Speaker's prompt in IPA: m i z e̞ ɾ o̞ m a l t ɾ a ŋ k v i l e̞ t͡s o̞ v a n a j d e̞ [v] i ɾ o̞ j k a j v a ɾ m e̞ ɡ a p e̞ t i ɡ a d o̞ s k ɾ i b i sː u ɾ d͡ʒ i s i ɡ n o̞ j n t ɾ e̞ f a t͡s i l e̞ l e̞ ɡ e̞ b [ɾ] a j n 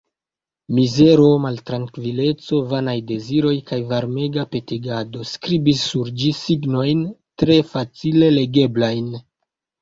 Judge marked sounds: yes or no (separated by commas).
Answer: no, no